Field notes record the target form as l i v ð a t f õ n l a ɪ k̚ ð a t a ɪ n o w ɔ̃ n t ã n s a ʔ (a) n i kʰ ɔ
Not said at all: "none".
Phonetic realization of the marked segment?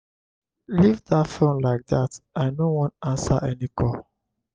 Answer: ɛ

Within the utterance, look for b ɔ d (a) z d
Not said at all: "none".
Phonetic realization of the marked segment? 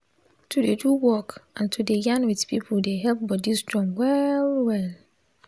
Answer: i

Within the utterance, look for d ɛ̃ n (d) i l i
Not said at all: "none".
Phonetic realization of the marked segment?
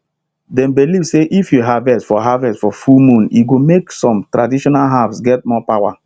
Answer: b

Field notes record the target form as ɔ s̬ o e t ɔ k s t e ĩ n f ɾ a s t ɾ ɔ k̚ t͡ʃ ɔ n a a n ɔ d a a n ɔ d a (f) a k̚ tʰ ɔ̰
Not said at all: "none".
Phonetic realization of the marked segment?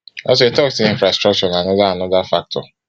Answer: f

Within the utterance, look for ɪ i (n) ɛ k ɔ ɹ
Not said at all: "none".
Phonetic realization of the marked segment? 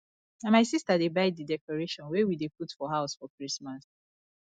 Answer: d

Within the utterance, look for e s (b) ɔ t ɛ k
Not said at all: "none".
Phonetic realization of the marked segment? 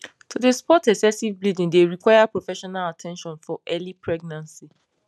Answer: p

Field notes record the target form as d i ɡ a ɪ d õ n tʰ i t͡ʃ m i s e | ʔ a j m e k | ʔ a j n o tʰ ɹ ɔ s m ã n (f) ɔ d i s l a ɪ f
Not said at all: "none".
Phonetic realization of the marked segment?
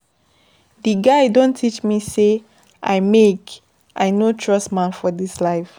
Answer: f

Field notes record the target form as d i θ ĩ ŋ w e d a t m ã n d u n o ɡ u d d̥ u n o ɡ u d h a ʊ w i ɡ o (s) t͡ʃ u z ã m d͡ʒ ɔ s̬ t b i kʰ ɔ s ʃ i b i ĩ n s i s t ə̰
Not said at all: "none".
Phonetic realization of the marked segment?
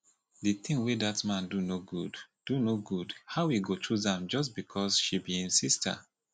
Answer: none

